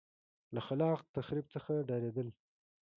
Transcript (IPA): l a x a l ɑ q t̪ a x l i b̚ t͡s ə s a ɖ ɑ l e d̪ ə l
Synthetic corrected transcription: l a x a l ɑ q t̪ a x ɾ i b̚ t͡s ə x a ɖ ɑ ɾ e d̪ ə l